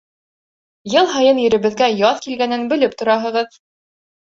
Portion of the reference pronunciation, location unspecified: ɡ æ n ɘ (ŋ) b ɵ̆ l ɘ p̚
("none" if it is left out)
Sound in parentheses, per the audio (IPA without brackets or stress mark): n